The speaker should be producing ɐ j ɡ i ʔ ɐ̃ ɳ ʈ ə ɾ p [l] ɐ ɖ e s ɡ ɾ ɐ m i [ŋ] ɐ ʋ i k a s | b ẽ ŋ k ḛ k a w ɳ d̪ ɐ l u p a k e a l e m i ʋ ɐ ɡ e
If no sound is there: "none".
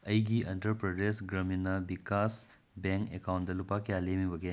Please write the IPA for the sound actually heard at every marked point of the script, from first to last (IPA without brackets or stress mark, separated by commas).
ɾ, n